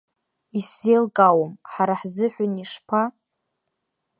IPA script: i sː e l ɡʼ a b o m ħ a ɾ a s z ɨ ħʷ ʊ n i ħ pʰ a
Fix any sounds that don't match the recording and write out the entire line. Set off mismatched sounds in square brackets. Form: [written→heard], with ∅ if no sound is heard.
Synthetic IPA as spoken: i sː e l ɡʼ a [b→w] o m ħ a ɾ a [s→ħ] z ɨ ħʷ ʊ n i [ħ→ʂ] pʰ a